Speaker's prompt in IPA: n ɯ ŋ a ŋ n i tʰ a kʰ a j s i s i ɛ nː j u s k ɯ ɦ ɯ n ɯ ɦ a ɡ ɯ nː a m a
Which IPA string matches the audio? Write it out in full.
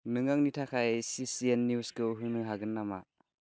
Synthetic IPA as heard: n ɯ ŋ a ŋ n i tʰ a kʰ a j s i s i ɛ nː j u s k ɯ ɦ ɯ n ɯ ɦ a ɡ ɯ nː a m a

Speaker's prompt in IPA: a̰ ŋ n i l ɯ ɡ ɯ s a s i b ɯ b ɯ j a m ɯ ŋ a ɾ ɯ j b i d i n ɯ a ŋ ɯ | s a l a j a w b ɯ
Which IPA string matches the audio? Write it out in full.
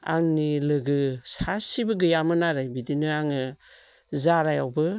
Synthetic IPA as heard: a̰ ŋ n i l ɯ ɡ ɯ s a s i b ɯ ɡ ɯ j a m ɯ n a ɾ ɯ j b i d i n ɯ a ŋ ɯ | z a ɾ a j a w b ɯ

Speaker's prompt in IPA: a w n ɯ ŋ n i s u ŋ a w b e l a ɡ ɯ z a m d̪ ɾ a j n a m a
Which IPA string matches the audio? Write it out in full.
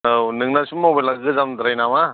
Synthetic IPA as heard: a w n ɯ ŋ n a s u m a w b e l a ɡ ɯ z a m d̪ ɾ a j n a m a

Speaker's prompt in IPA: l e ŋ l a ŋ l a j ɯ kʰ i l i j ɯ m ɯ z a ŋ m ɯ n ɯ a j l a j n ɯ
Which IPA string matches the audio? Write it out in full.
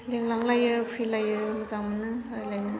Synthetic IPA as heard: l e ŋ l a ŋ l a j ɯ pʰ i l a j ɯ m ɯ z a ŋ m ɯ n ɯ a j l a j n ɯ

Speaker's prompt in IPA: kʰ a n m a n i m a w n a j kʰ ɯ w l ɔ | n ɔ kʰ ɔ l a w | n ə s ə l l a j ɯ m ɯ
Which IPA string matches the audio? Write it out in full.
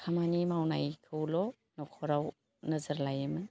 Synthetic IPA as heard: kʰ a m a n i m a w n a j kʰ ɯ w l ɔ | n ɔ kʰ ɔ ɾ a w | n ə z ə ɾ l a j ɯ m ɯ

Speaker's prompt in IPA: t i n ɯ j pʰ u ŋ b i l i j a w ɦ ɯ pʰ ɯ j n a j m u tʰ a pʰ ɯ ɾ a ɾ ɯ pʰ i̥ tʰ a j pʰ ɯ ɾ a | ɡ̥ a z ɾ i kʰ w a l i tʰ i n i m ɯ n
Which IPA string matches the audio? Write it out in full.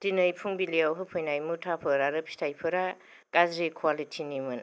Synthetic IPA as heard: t i n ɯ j pʰ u ŋ b i l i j a w ɦ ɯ pʰ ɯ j n a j m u tʰ a pʰ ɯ ɾ a ɾ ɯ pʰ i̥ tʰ a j pʰ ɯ ɾ a | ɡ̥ a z ɾ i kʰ w a l i tʰ i n i m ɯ n

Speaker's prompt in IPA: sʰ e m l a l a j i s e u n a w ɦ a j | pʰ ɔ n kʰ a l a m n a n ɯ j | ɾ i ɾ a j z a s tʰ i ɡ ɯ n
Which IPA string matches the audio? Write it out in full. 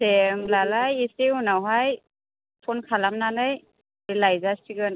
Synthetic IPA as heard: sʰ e m l a l a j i s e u n a w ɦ a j | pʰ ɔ n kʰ a l a m n a n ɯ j | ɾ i l a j z a s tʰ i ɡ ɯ n

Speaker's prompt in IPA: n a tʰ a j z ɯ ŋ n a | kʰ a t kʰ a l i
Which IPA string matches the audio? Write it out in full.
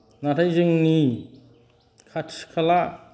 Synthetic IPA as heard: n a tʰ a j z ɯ ŋ n i | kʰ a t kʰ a l a

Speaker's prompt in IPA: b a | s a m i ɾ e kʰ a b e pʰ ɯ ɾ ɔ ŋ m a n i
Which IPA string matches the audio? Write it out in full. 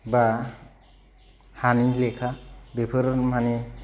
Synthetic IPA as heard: b a | h a n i l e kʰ a b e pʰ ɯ ɾ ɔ n m a n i

